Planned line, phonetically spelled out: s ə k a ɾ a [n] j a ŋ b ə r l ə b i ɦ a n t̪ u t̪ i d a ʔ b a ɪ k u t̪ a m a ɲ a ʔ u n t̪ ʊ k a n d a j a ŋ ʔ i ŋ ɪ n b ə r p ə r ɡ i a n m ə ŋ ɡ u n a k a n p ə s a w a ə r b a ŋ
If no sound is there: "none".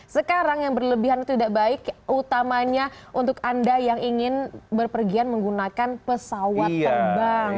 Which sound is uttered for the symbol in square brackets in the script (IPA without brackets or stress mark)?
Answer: ŋ